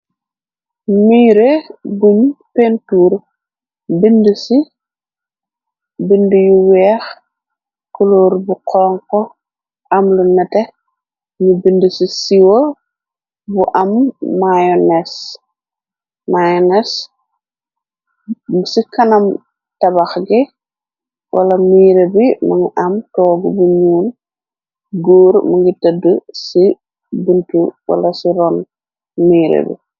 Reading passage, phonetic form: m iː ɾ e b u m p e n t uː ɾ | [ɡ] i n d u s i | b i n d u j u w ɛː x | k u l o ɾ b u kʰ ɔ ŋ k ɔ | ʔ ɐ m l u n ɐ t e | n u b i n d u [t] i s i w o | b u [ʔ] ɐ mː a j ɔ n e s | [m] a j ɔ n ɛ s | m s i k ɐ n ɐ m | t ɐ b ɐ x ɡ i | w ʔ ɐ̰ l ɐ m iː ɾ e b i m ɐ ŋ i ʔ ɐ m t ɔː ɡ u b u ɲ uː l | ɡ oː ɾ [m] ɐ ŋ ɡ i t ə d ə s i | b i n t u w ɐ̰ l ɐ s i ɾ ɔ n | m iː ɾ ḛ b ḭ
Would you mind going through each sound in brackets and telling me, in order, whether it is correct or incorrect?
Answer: incorrect: b, incorrect: s, correct, correct, correct

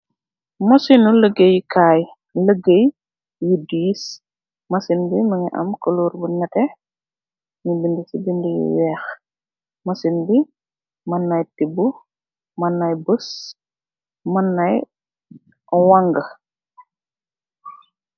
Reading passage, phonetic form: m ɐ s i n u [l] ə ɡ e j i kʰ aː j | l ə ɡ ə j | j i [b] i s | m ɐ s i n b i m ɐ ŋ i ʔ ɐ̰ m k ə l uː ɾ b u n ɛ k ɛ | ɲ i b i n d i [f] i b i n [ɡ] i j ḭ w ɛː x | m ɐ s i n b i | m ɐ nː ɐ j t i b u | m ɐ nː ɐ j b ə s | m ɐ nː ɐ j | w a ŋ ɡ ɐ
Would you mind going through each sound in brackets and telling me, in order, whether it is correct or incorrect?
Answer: correct, incorrect: d, incorrect: s, incorrect: d

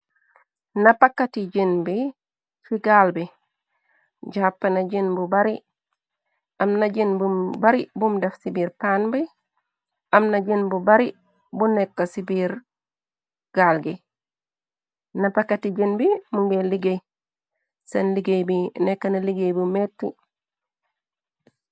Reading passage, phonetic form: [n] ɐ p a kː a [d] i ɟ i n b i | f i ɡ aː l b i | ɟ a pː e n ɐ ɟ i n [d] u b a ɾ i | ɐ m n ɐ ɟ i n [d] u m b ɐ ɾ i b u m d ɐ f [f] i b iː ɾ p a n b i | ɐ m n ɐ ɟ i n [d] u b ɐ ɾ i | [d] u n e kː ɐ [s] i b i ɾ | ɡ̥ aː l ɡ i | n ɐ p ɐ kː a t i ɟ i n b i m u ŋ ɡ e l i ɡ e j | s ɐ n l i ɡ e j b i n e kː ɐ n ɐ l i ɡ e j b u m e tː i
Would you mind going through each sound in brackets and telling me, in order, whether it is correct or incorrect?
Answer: correct, incorrect: t, incorrect: b, incorrect: b, incorrect: s, incorrect: b, incorrect: b, correct

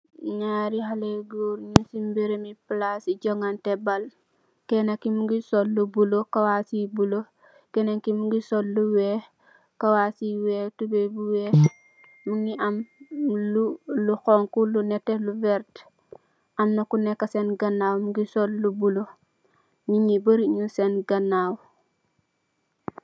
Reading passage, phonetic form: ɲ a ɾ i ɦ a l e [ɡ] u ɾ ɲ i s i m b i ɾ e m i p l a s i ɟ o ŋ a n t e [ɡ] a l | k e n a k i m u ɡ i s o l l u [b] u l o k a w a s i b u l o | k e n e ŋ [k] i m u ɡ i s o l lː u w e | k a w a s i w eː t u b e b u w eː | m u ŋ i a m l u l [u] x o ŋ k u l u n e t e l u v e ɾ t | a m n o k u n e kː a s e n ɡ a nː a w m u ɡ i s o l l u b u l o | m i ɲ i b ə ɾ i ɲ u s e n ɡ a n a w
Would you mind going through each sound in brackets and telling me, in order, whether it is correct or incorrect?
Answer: correct, incorrect: b, correct, correct, correct

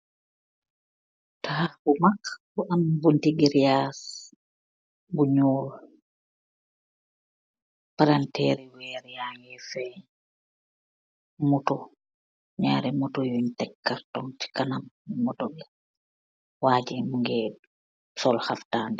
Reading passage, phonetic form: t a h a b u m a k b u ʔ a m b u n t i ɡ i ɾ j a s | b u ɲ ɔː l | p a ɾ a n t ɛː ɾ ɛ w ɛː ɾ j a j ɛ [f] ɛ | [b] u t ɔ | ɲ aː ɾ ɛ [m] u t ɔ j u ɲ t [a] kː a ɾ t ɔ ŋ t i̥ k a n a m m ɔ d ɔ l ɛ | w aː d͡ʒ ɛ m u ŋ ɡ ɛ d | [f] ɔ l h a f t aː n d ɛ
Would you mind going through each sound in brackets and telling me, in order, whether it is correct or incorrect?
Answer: correct, incorrect: m, correct, incorrect: ɛ, incorrect: s

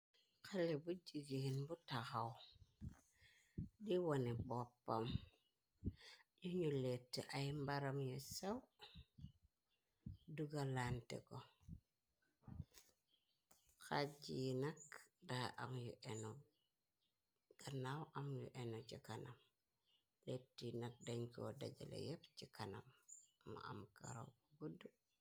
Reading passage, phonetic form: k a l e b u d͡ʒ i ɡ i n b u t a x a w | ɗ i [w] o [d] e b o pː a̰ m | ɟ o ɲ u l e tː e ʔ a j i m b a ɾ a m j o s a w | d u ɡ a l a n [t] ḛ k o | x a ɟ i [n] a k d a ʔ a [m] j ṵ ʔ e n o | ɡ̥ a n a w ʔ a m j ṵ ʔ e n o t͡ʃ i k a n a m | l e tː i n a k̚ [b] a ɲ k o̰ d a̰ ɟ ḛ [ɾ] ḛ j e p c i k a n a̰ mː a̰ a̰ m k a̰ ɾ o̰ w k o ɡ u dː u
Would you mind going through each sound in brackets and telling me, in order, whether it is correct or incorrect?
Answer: correct, incorrect: n, correct, correct, correct, incorrect: d, incorrect: l

